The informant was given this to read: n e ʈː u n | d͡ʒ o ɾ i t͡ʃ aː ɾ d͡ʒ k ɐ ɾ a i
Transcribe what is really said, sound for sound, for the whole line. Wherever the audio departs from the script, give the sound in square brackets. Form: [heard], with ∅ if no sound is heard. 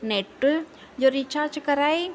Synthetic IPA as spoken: n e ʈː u [∅] | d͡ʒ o ɾ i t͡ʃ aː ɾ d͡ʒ k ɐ ɾ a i